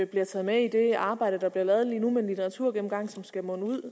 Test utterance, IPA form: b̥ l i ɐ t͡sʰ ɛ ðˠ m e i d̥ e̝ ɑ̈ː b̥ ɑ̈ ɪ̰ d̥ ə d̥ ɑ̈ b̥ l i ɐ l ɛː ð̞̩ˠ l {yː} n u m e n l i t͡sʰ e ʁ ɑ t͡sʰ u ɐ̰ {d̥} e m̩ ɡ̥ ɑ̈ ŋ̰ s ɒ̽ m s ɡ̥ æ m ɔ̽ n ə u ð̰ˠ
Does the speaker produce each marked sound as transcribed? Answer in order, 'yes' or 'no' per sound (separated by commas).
no, no